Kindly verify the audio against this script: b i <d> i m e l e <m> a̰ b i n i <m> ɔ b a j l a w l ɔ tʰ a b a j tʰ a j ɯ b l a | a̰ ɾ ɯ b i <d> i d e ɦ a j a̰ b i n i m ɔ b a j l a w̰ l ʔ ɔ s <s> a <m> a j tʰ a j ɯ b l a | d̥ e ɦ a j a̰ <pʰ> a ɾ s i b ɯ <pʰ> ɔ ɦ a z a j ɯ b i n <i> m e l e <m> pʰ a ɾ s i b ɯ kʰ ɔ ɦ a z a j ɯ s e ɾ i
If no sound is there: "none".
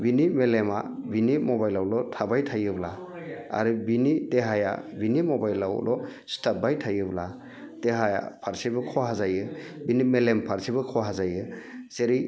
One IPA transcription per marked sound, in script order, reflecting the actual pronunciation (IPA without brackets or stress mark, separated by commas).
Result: n, m, m, n, t, b, pʰ, kʰ, i, m